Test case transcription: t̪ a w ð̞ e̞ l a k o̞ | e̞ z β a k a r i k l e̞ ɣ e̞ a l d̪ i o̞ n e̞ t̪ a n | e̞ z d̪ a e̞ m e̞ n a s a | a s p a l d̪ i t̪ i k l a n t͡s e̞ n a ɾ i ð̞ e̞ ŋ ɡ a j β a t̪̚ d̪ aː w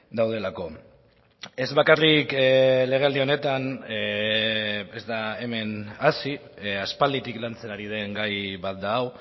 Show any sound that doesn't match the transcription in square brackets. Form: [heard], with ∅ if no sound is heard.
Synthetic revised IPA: [d̪] a w ð̞ e̞ l a k o̞ | e̞ z β a k a r i k l e̞ ɣ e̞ a l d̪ i o̞ n e̞ t̪ a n | e̞ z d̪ a e̞ m e̞ n a s [i] | a s p a l d̪ i t̪ i k l a n t͡s e̞ n a ɾ i ð̞ e̞ ŋ ɡ a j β a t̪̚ d̪ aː w